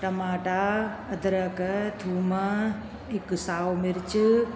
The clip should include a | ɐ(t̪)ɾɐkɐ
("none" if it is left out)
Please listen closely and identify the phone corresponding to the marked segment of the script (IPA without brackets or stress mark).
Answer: d̪